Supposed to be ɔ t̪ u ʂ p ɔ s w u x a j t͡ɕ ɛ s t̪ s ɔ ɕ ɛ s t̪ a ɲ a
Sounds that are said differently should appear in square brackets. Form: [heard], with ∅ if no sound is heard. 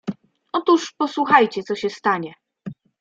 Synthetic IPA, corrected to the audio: ɔ t̪ u ʂ p ɔ s w u x a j t͡ɕ ɛ [∅] t̪ s ɔ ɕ ɛ s t̪ a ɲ [ɛ]